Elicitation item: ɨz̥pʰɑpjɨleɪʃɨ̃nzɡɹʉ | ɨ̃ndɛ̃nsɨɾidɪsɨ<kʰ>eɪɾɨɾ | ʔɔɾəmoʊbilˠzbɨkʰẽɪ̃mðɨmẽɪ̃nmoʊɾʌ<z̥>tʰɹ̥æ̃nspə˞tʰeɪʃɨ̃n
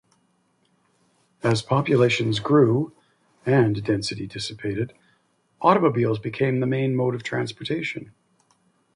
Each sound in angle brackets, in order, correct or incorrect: incorrect: pʰ, incorrect: v̥

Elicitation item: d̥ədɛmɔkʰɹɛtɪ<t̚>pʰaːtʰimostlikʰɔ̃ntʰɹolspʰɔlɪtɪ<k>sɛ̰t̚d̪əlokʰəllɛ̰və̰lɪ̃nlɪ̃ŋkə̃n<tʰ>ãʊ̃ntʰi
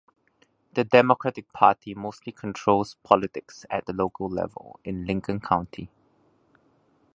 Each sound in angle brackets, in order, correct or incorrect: incorrect: k̚, correct, incorrect: kʰ

